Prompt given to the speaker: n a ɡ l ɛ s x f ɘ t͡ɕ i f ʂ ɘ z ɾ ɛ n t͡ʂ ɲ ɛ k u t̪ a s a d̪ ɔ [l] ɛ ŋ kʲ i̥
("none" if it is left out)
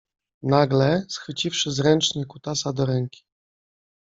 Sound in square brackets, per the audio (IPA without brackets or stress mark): ɾ